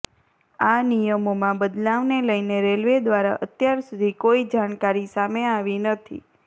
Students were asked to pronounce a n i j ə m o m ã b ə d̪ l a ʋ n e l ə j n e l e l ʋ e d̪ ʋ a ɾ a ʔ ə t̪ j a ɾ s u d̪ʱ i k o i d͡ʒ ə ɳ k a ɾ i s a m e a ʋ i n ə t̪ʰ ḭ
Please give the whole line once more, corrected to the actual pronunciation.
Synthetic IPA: a n i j ə m o m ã b ə d̪ l a ʋ n e l ə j n e ɾ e l ʋ e d̪ ʋ a ɾ a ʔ ə t̪ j a ɾ s u d̪ʱ i k o i d͡ʒ a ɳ k a ɾ i s a m e a ʋ i n ə t̪ʰ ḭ